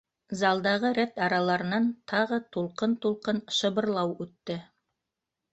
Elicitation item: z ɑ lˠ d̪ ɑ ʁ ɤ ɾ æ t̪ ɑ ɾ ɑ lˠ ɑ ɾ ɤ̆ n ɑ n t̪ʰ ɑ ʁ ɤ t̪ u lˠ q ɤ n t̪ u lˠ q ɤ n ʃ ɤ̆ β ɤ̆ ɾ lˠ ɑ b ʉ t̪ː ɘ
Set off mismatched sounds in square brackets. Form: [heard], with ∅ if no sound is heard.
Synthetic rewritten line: z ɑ lˠ d̪ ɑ ʁ ɤ ɾ æ t̪ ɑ ɾ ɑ lˠ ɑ ɾ ɤ̆ n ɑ n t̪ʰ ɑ ʁ ɤ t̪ u lˠ q ɤ n t̪ u lˠ q ɤ n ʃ ɤ̆ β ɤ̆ ɾ lˠ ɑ [w] ʉ t̪ː ɘ